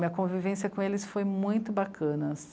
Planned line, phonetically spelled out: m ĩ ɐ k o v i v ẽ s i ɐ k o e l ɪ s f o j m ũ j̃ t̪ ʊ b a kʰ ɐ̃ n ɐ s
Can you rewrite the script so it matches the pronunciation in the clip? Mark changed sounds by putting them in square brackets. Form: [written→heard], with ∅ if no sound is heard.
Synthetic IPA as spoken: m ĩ ɐ k [o→õ] v i v ẽ s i ɐ k [o→õ] e l ɪ s f o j m ũ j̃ t̪ ʊ b a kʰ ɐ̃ n ɐ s